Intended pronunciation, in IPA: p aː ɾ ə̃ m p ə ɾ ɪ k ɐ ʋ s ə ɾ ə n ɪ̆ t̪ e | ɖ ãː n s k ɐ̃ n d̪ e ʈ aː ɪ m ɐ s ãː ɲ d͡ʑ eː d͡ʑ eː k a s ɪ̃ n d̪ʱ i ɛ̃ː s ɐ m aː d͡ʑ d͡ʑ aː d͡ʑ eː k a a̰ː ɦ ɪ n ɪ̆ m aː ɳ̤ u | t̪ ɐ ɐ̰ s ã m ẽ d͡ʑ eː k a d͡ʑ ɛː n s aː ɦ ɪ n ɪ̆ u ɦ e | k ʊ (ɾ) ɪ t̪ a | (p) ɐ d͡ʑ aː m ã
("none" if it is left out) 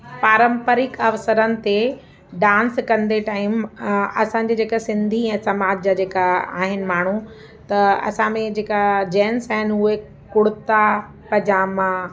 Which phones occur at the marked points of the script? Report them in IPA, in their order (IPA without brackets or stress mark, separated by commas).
ɽ, p